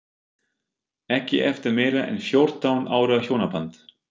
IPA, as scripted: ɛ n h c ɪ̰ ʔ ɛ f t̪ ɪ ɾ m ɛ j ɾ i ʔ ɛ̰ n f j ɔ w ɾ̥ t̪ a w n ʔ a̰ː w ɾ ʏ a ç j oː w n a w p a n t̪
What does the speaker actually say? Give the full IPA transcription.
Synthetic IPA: ɛ h c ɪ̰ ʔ ɛ f t̪ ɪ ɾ m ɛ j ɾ a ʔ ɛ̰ n f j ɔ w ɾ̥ t̪ a w n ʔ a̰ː w ɾ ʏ a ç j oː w n a p a n t̪